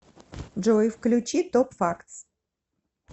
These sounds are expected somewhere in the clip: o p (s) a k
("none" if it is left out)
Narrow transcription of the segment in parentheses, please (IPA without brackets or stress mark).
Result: f